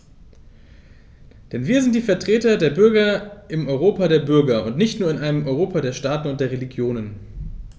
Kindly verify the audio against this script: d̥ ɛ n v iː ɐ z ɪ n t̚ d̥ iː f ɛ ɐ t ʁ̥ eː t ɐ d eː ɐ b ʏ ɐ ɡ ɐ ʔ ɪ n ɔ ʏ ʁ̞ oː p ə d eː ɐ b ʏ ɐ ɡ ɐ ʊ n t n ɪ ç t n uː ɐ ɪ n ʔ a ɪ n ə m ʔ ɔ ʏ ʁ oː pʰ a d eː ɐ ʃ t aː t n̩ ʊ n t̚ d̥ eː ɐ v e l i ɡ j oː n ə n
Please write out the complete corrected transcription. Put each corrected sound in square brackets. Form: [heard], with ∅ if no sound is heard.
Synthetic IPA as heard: d̥ ɛ n v iː ɐ z ɪ n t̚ d̥ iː f ɛ ɐ t ʁ̥ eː t ɐ d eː ɐ b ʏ ɐ ɡ ɐ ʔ ɪ [m] ɔ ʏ ʁ̞ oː p [a] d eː ɐ b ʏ ɐ ɡ ɐ ʊ n t n ɪ ç t n uː ɐ ɪ n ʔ a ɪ n ə m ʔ ɔ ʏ ʁ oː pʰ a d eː ɐ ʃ t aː t n̩ ʊ n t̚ d̥ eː ɐ [ʁ] e l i ɡ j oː n ə n